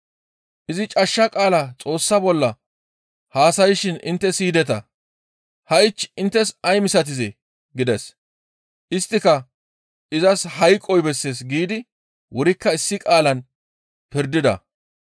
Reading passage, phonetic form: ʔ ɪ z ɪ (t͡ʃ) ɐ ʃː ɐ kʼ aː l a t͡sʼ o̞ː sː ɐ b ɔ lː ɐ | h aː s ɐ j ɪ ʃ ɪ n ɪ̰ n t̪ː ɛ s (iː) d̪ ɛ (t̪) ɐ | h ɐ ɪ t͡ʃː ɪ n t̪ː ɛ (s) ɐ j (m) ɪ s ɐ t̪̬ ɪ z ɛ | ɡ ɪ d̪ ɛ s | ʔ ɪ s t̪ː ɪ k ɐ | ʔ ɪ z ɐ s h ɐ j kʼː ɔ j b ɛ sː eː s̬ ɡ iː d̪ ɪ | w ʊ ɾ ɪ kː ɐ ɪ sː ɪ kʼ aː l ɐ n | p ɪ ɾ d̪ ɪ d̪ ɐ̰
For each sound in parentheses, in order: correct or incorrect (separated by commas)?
incorrect, correct, correct, correct, correct